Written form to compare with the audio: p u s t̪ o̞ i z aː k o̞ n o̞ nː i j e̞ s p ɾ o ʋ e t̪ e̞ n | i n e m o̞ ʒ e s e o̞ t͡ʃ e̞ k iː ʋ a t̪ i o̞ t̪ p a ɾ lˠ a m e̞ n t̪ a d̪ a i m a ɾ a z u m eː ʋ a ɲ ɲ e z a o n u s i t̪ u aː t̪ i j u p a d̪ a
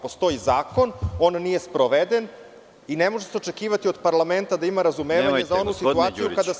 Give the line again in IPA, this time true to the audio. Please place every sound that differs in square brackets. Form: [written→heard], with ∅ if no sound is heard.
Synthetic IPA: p [u→o] s t̪ o̞ i z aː k o̞ n o̞ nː i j e̞ s p ɾ o ʋ e [t̪→d̪] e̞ n | i n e m o̞ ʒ e s e o̞ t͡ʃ e̞ k iː ʋ a t̪ i o̞ [t̪→d̪] p a ɾ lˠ a m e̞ n t̪ a d̪ a i m a ɾ a z u m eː ʋ a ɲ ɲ e z a o n u s i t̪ u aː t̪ i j u [p→k] a d̪ a